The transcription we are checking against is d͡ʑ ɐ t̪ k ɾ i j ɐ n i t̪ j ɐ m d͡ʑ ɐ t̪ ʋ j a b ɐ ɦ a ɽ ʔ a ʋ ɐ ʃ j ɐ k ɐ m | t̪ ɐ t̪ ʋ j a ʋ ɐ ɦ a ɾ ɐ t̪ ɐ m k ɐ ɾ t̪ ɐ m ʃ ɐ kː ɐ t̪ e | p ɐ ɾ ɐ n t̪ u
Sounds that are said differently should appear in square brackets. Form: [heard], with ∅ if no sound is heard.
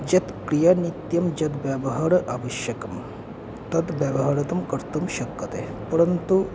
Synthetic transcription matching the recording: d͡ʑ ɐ t̪ k ɾ i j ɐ n i t̪ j ɐ m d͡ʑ ɐ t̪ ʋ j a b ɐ ɦ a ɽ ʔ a ʋ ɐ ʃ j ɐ k ɐ m | t̪ ɐ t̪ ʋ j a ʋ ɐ ɦ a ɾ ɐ t̪ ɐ m k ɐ ɾ t̪ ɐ m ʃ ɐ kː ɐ t̪ e | p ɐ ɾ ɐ n t̪ u

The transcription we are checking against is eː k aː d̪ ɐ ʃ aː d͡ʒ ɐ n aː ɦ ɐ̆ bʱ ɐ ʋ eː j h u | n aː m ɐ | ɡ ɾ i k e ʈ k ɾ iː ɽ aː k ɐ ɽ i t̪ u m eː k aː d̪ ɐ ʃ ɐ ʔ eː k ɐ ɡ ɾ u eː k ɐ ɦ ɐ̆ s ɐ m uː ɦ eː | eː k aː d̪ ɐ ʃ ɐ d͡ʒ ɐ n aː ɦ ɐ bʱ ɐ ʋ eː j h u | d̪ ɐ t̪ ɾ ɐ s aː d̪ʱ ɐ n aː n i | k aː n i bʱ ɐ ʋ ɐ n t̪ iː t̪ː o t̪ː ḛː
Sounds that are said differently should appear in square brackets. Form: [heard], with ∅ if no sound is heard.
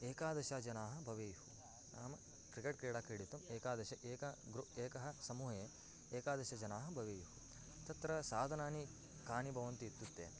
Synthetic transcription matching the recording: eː k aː d̪ ɐ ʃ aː d͡ʒ ɐ n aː ɦ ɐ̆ bʱ ɐ ʋ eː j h u | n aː m ɐ | [k] ɾ i k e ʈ k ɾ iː ɽ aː k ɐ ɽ i t̪ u m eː k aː d̪ ɐ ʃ ɐ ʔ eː k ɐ ɡ ɾ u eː k ɐ ɦ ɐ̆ s ɐ m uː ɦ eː | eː k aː d̪ ɐ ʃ ɐ d͡ʒ ɐ n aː ɦ ɐ bʱ ɐ ʋ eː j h u | [t̪] ɐ t̪ ɾ ɐ s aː d̪ʱ ɐ n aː n i | k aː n i bʱ ɐ ʋ ɐ n t̪ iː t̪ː [u] t̪ː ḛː

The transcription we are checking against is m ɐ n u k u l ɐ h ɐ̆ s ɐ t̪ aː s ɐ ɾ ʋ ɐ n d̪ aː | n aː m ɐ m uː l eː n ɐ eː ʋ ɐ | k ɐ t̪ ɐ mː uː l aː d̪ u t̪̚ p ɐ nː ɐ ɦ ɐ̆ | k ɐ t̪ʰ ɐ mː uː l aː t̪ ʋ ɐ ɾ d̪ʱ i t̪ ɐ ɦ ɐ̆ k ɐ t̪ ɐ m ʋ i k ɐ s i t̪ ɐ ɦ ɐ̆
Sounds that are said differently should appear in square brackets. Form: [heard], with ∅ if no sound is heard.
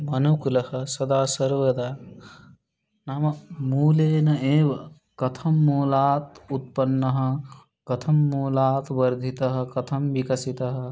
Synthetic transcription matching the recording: m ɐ n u k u l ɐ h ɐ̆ s ɐ [d̪] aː s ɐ ɾ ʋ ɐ [∅] d̪ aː | n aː m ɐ m uː l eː n ɐ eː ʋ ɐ | k ɐ [t̪ʰ] ɐ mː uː l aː [t̪] u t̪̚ p ɐ nː ɐ ɦ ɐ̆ | k ɐ t̪ʰ ɐ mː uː l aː t̪ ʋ ɐ ɾ d̪ʱ i t̪ ɐ ɦ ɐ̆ k ɐ [t̪ʰ] ɐ m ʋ i k ɐ s i t̪ ɐ ɦ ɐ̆

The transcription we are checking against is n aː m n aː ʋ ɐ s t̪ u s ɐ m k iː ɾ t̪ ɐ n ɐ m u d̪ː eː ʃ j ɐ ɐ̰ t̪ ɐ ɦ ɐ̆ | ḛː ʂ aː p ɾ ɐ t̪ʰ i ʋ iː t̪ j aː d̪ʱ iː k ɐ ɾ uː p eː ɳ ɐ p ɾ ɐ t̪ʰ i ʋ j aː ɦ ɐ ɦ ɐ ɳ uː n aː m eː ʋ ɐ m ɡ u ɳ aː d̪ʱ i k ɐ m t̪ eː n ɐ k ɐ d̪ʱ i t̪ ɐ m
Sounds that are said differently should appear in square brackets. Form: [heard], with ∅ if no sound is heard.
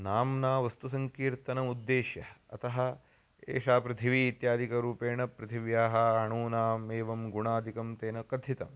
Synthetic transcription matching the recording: n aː m n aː ʋ ɐ s t̪ u s ɐ [ŋ] k iː ɾ t̪ ɐ n ɐ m u d̪ː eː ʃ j ɐ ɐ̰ t̪ ɐ ɦ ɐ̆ | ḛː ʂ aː p ɾ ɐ t̪ʰ i ʋ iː t̪ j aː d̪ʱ [i] k ɐ ɾ uː p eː ɳ ɐ p ɾ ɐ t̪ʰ i ʋ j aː ɦ ɐ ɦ ɐ ɳ uː n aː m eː ʋ ɐ m ɡ u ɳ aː d̪ʱ i k ɐ m t̪ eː n ɐ k ɐ d̪ʱ i t̪ ɐ m

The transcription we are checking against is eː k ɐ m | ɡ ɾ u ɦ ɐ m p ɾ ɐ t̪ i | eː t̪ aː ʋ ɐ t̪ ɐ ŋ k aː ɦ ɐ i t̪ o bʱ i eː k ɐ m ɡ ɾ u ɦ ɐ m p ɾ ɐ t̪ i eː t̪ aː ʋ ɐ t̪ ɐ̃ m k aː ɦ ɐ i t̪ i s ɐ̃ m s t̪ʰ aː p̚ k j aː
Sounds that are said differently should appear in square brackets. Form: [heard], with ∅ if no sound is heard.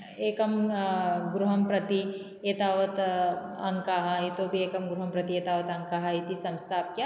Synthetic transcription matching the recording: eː k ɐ m | ɡ ɾ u ɦ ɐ m p ɾ ɐ t̪ i | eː t̪ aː ʋ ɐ t̪ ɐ ŋ k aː ɦ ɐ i t̪ o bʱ i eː k ɐ m ɡ ɾ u ɦ ɐ m p ɾ ɐ t̪ i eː t̪ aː ʋ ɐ t̪ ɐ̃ [ŋ] k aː ɦ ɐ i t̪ i s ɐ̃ m s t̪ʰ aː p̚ k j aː

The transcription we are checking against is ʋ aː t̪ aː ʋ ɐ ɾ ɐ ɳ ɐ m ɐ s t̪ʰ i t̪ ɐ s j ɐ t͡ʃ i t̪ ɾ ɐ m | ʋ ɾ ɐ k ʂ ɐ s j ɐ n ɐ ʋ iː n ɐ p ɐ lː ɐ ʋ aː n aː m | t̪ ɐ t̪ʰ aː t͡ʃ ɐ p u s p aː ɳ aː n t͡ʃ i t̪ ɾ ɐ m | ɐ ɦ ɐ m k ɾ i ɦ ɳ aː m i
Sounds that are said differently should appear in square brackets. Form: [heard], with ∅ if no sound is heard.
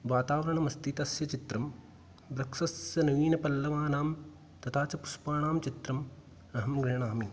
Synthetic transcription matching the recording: ʋ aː t̪ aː ʋ ɐ ɾ ɐ ɳ ɐ m ɐ s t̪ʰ i t̪ ɐ s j ɐ t͡ʃ i t̪ ɾ ɐ m | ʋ ɾ ɐ k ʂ ɐ s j ɐ n ɐ ʋ iː n ɐ p ɐ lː ɐ ʋ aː n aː m | t̪ ɐ t̪ʰ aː t͡ʃ ɐ p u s p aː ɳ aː [m] t͡ʃ i t̪ ɾ ɐ m | ɐ ɦ ɐ m [ɡ] ɾ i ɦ ɳ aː m i

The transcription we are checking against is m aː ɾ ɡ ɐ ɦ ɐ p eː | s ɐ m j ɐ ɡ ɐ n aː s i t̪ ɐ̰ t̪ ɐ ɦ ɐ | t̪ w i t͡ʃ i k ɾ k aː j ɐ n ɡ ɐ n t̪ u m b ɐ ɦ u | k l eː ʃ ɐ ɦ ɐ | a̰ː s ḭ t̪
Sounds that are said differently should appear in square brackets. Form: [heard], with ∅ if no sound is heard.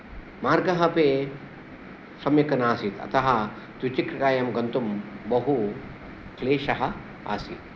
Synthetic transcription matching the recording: m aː ɾ ɡ ɐ ɦ ɐ p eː | s ɐ m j ɐ [k] ɐ n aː s i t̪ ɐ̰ t̪ ɐ ɦ ɐ | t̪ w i t͡ʃ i k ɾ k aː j ɐ [m] ɡ ɐ n t̪ u m b ɐ ɦ u | k l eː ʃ ɐ ɦ ɐ | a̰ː s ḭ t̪

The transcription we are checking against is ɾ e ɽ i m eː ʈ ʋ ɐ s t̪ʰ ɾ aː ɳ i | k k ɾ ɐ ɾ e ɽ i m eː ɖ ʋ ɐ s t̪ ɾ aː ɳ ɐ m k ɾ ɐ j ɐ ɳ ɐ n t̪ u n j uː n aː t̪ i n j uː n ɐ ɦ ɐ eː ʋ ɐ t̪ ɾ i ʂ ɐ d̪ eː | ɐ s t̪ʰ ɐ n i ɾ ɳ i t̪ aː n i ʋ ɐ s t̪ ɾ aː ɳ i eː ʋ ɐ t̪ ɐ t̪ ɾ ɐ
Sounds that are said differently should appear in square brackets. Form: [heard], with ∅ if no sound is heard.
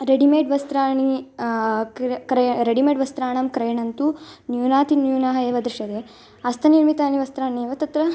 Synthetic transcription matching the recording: ɾ e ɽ i m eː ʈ ʋ ɐ s [t̪] ɾ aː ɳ i | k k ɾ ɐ ɾ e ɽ i m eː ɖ ʋ ɐ s t̪ ɾ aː ɳ ɐ m k ɾ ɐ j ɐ ɳ ɐ n t̪ u n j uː n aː t̪ i n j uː n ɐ ɦ ɐ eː ʋ ɐ [d̪] ɾ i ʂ ɐ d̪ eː | ɐ s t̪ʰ ɐ n i ɾ [m] i t̪ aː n i ʋ ɐ s t̪ ɾ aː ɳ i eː ʋ ɐ t̪ ɐ t̪ ɾ ɐ

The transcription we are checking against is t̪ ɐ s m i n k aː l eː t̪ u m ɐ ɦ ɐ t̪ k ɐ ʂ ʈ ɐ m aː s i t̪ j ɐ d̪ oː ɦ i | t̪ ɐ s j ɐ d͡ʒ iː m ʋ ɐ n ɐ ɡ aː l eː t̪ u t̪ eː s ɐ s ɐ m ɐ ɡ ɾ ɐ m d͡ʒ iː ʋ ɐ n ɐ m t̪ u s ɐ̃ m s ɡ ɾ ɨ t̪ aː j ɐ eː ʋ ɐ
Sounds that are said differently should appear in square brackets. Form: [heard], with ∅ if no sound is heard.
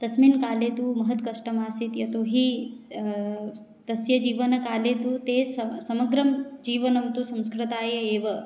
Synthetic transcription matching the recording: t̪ ɐ s m i n k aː l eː t̪ u m ɐ ɦ ɐ t̪ k ɐ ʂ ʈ ɐ m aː s i t̪ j ɐ [t̪] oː ɦ i | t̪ ɐ s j ɐ d͡ʒ iː [∅] ʋ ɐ n ɐ [k] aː l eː t̪ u t̪ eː s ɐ s ɐ m ɐ ɡ ɾ ɐ m d͡ʒ iː ʋ ɐ n ɐ m t̪ u s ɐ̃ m s [k] ɾ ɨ t̪ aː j ɐ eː ʋ ɐ

